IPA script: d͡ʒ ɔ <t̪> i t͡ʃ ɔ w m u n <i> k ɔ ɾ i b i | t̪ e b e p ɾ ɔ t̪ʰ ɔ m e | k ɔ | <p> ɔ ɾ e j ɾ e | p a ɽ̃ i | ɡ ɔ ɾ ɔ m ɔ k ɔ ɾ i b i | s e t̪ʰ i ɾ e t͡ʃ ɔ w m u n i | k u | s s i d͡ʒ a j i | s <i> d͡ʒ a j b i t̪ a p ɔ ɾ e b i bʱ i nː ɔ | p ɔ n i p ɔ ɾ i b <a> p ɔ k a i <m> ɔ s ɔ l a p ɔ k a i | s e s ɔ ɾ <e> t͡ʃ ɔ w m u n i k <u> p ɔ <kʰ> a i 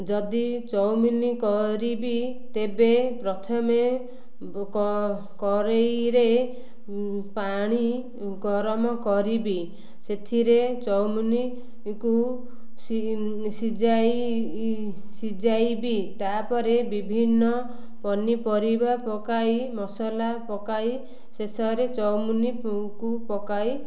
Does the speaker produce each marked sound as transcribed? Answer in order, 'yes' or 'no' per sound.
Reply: no, yes, no, yes, yes, yes, yes, yes, no

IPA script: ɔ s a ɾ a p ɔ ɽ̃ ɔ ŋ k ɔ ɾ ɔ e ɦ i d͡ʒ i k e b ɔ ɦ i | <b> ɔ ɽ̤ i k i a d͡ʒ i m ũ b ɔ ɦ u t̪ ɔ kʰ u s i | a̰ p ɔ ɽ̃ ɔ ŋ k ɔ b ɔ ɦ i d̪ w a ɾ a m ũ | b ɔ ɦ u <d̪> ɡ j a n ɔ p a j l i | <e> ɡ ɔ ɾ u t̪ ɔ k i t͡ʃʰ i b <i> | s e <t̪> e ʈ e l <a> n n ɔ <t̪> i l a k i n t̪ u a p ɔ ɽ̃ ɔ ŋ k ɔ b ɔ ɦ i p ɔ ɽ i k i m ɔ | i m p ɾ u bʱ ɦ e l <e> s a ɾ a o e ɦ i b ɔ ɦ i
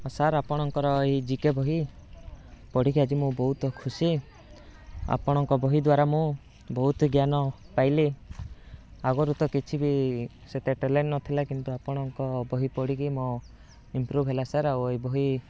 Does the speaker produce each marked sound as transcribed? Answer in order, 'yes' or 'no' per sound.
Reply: no, no, no, yes, yes, no, no, no

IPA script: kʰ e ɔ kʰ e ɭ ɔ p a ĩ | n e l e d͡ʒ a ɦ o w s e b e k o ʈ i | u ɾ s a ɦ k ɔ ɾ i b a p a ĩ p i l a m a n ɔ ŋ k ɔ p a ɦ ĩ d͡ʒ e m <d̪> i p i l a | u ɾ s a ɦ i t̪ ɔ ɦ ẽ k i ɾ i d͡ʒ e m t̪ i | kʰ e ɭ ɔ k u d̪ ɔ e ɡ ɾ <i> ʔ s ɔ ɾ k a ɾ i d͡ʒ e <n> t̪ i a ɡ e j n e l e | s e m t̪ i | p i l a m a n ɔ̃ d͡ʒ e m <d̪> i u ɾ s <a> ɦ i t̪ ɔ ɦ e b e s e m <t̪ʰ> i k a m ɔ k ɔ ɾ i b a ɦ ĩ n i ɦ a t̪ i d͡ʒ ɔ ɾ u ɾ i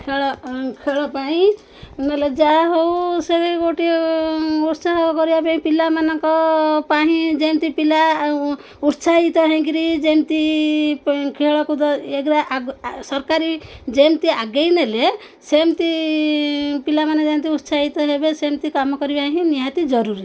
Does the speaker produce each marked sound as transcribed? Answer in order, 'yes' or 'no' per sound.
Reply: no, no, no, no, yes, no

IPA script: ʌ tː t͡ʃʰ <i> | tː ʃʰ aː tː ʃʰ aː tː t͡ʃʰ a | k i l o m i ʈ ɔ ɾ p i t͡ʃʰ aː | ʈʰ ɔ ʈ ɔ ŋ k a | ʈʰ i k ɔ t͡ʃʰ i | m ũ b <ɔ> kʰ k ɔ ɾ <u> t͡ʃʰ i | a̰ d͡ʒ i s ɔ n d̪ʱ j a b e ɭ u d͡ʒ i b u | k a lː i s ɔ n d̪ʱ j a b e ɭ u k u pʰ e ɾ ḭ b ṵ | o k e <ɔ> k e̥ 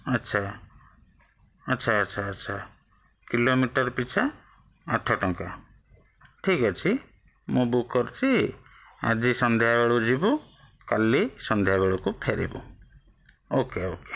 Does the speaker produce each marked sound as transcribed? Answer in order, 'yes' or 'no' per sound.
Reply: no, no, yes, no

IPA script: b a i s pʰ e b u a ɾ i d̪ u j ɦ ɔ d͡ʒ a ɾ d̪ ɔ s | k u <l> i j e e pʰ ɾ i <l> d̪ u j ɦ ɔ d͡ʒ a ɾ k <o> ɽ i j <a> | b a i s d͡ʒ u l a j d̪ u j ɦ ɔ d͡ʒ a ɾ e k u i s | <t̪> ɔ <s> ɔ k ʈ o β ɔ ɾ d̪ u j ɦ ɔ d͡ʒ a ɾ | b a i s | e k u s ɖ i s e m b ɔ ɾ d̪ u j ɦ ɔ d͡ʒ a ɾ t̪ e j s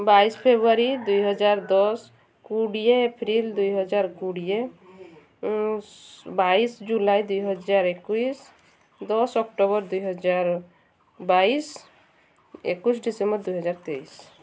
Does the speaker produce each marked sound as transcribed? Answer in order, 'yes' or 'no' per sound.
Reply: no, yes, no, no, no, yes

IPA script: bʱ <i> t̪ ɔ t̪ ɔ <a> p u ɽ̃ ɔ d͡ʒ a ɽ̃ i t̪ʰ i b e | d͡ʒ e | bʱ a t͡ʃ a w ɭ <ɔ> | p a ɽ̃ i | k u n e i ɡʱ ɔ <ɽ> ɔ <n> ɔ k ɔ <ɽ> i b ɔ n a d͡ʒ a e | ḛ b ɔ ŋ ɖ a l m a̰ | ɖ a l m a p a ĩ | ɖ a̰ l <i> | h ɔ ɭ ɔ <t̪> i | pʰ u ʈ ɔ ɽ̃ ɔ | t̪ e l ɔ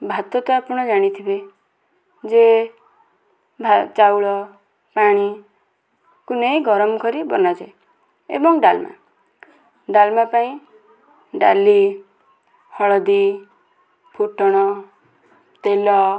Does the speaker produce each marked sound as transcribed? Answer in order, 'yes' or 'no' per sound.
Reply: no, yes, yes, no, no, no, yes, no

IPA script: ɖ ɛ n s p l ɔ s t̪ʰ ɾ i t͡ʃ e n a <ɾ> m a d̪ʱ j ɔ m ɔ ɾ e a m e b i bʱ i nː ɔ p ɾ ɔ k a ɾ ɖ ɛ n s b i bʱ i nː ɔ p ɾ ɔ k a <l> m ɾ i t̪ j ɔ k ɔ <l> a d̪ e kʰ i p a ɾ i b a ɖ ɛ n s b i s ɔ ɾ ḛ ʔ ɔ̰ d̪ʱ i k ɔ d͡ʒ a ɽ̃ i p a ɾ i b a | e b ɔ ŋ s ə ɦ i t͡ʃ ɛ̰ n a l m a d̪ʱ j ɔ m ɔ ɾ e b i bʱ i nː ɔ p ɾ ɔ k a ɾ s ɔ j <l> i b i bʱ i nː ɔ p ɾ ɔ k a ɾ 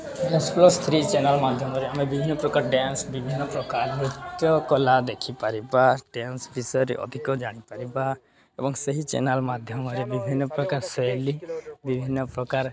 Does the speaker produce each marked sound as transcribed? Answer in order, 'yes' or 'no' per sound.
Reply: no, no, yes, yes

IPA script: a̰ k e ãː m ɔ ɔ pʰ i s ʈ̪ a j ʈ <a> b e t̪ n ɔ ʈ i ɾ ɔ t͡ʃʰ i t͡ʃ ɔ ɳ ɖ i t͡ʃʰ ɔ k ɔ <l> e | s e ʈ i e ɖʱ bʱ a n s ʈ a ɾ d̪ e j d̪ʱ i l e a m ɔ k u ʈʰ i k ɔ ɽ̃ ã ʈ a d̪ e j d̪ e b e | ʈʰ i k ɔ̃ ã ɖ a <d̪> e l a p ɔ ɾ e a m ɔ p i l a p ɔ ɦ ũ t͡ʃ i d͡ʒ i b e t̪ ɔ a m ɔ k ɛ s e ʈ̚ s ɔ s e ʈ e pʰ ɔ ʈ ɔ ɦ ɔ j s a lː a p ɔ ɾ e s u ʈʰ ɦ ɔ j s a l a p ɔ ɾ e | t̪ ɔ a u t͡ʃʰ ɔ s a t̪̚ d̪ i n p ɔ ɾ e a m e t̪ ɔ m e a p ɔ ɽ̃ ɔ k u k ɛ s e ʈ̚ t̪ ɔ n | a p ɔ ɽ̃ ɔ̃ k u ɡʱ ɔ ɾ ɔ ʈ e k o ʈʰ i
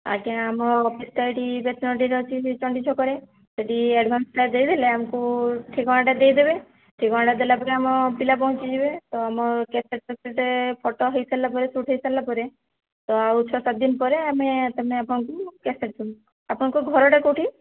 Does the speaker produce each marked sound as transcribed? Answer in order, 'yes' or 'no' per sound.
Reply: no, no, yes

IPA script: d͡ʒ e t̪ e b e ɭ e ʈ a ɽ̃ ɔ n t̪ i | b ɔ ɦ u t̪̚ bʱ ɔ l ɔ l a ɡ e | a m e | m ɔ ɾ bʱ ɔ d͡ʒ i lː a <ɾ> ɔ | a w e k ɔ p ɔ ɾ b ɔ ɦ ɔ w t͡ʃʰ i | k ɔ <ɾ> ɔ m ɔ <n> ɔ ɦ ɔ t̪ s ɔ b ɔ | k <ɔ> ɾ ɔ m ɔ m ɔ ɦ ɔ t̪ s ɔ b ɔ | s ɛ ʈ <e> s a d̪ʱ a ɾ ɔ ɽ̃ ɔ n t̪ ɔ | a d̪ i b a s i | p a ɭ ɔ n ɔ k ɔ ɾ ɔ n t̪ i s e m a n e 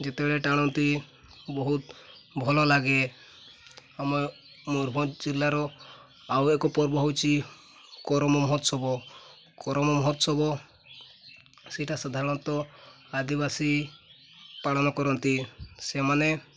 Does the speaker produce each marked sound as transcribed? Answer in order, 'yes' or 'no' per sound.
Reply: yes, yes, no, yes, no

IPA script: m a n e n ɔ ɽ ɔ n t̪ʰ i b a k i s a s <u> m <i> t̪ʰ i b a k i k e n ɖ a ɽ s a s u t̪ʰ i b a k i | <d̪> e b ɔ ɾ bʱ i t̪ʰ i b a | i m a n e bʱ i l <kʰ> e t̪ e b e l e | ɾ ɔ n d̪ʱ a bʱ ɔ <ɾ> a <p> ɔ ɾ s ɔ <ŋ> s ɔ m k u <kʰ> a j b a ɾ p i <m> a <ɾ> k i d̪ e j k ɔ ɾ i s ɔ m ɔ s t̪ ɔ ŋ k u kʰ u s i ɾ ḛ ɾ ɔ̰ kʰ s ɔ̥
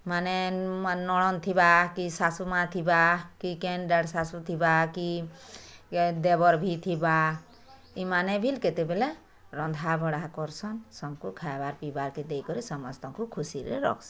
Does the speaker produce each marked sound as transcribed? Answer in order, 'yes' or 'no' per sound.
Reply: yes, no, yes, no, no, no, no, yes, no, yes

